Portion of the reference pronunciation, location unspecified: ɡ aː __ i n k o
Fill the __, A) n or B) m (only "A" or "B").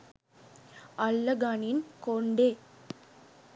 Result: A